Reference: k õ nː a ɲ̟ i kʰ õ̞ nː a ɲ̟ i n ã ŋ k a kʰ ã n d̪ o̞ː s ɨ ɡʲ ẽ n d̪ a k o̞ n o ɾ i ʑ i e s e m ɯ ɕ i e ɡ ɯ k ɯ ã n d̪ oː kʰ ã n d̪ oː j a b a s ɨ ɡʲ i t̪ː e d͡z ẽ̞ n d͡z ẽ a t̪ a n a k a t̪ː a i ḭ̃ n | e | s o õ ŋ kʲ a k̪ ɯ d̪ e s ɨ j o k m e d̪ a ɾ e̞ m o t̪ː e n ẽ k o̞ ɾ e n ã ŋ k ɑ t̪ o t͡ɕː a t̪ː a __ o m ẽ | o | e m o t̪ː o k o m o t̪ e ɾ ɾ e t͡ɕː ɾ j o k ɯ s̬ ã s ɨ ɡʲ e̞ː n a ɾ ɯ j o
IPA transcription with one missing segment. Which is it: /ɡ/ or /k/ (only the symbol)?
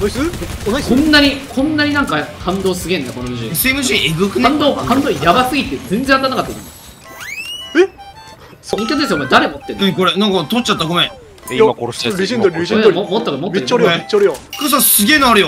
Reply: ɡ